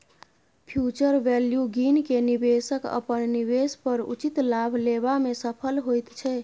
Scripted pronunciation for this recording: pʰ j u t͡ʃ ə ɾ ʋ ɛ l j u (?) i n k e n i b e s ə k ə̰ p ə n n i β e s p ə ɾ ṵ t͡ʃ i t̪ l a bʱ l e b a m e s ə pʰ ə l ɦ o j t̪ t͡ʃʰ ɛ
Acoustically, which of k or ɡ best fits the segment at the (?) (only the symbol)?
ɡ